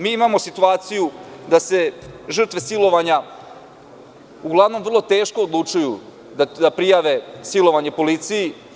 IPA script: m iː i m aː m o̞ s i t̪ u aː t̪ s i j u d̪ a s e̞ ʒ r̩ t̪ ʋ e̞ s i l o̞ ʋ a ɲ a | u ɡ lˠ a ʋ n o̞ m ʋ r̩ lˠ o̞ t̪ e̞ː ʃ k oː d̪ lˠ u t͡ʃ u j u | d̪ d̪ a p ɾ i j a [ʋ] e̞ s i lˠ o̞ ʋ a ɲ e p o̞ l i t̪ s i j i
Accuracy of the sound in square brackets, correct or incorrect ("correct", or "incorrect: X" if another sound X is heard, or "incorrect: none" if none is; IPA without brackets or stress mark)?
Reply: correct